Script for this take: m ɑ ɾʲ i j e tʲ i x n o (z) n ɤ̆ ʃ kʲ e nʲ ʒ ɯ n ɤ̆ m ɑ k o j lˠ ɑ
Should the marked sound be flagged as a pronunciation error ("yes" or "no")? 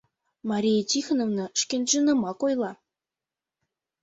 yes